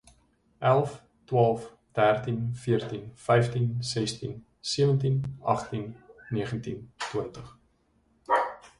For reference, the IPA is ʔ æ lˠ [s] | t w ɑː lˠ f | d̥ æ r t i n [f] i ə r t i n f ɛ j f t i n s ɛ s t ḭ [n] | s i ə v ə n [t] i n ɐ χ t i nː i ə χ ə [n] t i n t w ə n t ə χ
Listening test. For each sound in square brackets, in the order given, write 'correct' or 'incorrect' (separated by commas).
incorrect, correct, correct, correct, correct